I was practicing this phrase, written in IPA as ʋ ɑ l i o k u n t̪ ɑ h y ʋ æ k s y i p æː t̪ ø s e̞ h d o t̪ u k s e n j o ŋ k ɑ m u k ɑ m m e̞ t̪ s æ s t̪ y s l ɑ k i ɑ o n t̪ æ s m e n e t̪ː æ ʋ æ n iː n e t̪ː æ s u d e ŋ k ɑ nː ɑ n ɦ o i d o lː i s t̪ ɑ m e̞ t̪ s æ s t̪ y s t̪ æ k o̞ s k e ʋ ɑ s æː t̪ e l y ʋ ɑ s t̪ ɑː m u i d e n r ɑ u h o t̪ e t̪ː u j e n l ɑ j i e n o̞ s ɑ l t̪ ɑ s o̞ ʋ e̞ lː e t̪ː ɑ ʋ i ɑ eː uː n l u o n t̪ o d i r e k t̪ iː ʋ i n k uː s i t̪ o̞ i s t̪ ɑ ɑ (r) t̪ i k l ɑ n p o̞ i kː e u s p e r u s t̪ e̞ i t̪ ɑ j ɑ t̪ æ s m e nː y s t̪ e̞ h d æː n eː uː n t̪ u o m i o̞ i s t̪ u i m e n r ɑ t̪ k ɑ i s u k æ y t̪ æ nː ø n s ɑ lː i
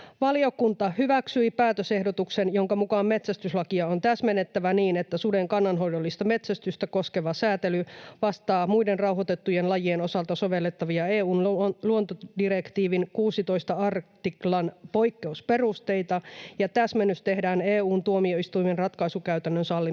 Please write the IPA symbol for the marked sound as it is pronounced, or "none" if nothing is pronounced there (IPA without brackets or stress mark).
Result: r